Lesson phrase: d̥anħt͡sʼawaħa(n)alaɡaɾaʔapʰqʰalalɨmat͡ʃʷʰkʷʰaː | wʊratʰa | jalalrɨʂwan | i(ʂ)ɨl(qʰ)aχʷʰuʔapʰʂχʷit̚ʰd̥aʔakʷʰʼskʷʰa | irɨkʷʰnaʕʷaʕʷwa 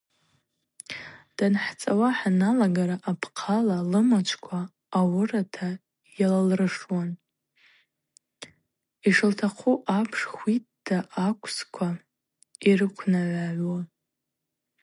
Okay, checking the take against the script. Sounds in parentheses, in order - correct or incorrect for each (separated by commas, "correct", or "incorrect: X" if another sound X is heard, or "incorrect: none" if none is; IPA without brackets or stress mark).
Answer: correct, correct, incorrect: tʰ